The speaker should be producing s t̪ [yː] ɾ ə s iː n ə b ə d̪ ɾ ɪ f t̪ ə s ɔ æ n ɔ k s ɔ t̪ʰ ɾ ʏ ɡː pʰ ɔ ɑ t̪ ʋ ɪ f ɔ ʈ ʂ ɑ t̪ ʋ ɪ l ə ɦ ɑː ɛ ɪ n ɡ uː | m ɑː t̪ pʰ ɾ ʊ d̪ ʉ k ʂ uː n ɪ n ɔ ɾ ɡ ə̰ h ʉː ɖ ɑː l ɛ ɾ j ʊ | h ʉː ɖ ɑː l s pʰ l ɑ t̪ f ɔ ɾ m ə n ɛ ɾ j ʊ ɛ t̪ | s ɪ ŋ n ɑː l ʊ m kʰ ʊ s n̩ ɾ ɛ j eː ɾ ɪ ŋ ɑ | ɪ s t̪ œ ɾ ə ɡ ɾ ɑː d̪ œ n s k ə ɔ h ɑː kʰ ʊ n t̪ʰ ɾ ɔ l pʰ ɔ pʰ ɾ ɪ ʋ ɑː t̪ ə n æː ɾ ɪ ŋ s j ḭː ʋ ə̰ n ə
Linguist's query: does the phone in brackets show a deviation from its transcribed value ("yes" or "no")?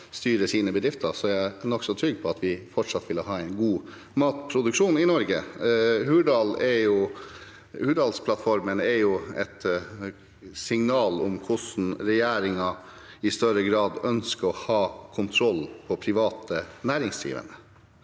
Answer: no